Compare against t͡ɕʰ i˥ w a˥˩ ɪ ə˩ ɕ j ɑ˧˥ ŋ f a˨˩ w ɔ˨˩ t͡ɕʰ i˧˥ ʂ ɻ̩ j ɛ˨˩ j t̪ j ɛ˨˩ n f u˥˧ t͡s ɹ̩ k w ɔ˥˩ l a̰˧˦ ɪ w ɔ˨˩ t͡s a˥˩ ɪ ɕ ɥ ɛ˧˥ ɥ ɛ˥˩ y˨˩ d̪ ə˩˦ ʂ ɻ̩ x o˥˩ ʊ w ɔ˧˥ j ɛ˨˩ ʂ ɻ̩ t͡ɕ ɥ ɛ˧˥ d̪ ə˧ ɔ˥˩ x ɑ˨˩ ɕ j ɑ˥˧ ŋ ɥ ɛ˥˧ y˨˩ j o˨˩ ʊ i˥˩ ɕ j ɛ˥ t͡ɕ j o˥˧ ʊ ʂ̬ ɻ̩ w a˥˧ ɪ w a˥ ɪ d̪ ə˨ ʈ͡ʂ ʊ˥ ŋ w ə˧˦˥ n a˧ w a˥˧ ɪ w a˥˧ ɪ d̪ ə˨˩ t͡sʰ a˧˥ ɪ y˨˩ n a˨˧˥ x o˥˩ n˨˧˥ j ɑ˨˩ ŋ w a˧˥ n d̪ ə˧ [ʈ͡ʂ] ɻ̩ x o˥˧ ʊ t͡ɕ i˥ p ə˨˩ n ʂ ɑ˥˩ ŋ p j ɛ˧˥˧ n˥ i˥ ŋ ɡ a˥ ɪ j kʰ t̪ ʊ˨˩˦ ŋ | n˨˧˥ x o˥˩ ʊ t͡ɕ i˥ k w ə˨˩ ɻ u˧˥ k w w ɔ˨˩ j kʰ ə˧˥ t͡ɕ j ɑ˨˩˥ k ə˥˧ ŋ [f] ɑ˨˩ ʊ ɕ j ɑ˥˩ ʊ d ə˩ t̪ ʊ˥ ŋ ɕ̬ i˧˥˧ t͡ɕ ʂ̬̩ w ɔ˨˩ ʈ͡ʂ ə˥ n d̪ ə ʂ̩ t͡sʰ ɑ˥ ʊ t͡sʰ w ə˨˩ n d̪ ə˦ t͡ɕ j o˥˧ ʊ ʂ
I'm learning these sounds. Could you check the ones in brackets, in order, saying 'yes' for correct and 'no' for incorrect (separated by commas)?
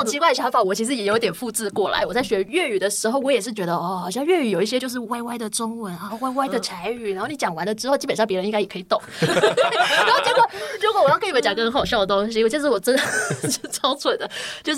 yes, no